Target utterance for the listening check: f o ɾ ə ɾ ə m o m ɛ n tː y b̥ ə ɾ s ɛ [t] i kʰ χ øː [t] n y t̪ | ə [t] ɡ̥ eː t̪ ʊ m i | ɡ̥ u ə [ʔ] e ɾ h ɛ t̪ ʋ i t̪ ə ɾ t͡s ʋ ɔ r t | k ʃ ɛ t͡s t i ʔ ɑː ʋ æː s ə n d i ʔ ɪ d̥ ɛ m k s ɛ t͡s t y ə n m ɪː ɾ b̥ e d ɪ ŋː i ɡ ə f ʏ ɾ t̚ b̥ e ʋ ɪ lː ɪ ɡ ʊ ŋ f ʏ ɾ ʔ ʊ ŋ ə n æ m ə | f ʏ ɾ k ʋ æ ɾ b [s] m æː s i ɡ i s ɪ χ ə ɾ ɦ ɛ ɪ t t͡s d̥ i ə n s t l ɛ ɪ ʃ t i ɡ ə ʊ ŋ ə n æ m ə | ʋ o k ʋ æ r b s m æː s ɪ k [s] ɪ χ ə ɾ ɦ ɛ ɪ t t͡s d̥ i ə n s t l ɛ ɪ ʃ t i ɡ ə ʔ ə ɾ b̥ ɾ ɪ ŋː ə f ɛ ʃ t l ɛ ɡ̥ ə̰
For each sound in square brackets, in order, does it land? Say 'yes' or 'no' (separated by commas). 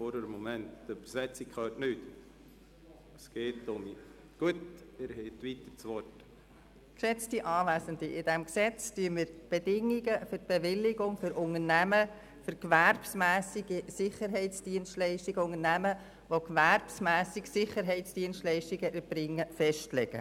no, yes, no, no, yes, yes